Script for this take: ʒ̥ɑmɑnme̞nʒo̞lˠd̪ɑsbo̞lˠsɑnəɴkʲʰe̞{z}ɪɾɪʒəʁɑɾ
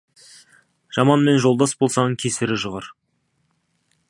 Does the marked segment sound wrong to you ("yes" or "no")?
yes